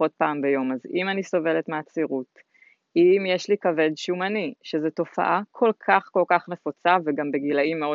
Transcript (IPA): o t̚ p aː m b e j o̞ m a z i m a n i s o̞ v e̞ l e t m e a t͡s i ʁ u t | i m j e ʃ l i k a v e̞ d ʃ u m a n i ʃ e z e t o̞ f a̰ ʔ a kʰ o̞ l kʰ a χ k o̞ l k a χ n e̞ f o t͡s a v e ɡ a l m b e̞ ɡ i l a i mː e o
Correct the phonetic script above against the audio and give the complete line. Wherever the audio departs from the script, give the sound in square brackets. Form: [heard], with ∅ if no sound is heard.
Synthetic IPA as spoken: o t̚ p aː m b e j o̞ m a z i m a n i s o̞ v e̞ l e t m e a t͡s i ʁ u t | i m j e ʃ l i k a v e̞ d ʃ u m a n i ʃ e z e t o̞ f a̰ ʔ a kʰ o̞ l kʰ a χ k o̞ l k a χ n e̞ f o t͡s a v e ɡ a [∅] m b e̞ ɡ i l a i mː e o